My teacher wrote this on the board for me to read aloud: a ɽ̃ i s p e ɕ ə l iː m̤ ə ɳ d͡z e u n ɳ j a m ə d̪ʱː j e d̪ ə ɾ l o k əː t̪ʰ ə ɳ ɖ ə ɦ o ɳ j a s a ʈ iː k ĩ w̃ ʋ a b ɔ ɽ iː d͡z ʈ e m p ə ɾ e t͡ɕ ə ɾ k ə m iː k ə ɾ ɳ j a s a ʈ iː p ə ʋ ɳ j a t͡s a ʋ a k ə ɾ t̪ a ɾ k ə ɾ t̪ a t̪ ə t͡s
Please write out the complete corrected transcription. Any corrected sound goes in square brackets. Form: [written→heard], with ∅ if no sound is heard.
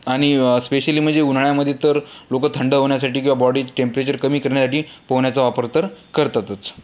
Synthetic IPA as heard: a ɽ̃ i s p e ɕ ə l iː m̤ ə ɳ d͡z e u n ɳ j a m ə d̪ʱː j e [d̪→t̪] ə ɾ l o k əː t̪ʰ ə ɳ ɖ ə ɦ o ɳ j a s a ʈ iː k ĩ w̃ ʋ a b ɔ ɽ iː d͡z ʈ e m p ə ɾ e t͡ɕ ə ɾ k ə m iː k ə ɾ ɳ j a s a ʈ iː p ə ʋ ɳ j a t͡s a ʋ a [k→p] ə ɾ t̪ [a→ə] ɾ k ə ɾ t̪ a t̪ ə t͡s